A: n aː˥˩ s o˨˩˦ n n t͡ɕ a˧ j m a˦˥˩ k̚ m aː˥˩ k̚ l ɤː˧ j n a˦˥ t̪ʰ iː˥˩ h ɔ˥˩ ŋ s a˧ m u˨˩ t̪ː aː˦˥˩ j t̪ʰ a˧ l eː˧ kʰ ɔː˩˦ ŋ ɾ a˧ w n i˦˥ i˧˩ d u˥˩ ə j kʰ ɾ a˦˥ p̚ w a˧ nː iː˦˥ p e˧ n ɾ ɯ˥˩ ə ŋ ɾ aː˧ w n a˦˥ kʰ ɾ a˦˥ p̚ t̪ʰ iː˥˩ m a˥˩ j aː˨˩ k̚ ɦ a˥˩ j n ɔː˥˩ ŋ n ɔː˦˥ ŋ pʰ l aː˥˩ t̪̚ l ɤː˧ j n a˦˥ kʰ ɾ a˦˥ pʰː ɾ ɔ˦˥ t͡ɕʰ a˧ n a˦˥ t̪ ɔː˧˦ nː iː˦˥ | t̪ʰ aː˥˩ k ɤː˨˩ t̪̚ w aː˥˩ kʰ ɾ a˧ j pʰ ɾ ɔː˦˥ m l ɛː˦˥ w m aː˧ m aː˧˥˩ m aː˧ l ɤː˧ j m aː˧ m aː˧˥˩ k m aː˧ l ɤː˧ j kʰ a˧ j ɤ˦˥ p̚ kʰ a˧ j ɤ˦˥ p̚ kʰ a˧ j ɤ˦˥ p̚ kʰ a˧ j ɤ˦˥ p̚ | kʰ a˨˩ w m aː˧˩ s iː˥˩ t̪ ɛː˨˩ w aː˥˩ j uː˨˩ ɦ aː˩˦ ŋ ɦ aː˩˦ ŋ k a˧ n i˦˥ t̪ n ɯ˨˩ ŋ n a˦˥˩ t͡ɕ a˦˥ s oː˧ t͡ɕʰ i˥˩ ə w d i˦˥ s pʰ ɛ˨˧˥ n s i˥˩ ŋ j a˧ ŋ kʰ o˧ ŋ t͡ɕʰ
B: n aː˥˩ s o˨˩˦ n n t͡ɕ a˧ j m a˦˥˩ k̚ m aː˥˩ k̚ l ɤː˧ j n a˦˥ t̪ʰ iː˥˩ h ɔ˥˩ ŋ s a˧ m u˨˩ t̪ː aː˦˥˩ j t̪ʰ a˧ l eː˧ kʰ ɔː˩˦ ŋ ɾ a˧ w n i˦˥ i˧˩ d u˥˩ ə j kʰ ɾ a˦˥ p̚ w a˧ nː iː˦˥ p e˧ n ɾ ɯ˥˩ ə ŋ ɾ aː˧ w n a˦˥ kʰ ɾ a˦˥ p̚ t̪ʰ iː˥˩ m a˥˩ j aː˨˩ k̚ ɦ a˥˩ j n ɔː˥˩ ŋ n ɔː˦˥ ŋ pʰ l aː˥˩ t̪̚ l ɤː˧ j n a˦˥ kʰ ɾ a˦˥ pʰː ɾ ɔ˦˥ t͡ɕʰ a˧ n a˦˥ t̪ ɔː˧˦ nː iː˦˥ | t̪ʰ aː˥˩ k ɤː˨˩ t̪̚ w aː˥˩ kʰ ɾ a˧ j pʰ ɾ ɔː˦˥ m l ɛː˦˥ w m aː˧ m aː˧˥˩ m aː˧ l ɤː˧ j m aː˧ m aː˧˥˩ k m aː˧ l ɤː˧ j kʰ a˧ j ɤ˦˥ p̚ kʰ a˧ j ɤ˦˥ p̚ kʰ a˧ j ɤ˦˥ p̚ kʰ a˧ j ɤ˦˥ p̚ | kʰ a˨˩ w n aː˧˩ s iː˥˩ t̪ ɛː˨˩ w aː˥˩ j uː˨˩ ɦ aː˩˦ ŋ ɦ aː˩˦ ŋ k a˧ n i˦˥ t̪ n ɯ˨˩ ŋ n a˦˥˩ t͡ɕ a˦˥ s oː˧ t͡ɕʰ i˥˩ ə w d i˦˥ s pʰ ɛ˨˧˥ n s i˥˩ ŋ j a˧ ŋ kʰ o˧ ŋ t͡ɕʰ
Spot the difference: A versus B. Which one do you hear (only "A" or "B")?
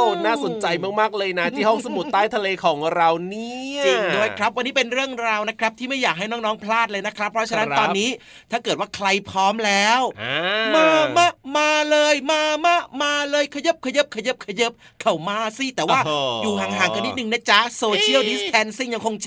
A